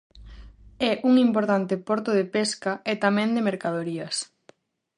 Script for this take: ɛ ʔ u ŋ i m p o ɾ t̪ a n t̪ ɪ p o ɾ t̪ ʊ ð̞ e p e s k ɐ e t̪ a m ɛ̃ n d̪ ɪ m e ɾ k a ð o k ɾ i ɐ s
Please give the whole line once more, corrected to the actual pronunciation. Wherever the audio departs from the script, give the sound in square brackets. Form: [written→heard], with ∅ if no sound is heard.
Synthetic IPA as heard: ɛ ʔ u ŋ i m p o ɾ t̪ a n t̪ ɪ p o ɾ t̪ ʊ ð̞ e p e s k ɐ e t̪ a m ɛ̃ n d̪ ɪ m e ɾ k a ð o [k→∅] ɾ i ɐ s